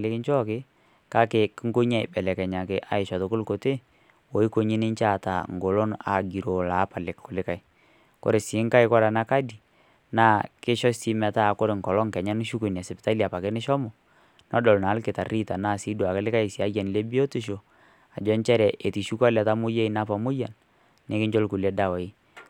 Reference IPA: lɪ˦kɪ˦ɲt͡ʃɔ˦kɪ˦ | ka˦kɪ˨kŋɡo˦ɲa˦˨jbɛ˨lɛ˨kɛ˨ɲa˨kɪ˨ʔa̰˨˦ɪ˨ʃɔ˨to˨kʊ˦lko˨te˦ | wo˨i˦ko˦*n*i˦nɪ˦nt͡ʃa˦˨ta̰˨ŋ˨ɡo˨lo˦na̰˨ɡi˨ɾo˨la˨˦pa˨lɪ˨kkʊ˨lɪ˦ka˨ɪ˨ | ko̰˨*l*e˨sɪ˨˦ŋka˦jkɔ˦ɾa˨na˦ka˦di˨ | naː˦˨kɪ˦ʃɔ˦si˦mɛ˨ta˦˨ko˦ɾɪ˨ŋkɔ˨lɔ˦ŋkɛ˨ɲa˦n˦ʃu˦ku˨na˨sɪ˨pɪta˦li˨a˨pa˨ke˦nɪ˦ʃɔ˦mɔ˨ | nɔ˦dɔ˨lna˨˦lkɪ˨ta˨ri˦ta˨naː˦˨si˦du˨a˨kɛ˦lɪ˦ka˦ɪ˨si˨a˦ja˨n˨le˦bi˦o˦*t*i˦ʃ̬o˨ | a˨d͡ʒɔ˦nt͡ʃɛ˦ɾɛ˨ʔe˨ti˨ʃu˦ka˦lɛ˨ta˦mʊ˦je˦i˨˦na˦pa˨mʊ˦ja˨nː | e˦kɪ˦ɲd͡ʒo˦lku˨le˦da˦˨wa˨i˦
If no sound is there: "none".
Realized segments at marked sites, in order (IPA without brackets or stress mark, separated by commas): ɲ, ɾ, t